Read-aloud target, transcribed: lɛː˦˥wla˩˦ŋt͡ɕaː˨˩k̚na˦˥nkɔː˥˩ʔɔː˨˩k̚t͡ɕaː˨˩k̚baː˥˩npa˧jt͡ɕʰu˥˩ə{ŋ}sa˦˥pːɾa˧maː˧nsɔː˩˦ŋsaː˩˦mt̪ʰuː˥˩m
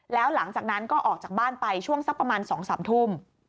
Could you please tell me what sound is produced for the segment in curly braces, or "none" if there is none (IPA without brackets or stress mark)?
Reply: ŋ